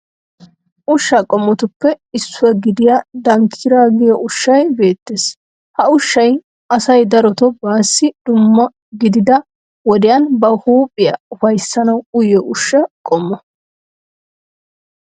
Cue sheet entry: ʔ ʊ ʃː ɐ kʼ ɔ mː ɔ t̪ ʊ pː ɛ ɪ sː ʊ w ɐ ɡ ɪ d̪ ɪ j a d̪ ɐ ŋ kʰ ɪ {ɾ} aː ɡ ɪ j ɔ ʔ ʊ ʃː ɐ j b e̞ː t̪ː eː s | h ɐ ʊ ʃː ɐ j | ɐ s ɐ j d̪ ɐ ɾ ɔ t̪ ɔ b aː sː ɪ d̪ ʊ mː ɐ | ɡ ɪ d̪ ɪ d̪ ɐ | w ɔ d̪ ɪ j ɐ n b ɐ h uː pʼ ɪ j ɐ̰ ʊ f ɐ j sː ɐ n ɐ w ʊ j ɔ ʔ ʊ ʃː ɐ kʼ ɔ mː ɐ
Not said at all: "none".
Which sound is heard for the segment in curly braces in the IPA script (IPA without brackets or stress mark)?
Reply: ɾ